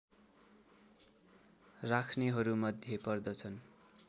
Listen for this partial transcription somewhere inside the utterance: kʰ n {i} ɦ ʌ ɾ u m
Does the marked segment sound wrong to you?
yes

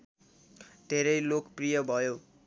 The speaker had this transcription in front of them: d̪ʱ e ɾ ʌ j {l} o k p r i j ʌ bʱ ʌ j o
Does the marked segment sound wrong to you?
no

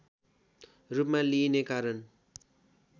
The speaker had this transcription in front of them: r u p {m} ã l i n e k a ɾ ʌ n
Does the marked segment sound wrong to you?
no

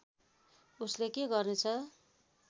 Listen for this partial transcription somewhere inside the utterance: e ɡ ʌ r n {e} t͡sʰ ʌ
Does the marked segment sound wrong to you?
no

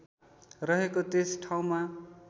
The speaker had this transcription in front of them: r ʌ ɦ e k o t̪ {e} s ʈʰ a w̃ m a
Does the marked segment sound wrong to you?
no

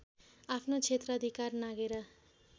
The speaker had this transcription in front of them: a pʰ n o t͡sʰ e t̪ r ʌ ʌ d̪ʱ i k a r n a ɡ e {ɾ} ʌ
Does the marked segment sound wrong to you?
no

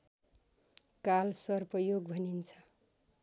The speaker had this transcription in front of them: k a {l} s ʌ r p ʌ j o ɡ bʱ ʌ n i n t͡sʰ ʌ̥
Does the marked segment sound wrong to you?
no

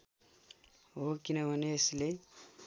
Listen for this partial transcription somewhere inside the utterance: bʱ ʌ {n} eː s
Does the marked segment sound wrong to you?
no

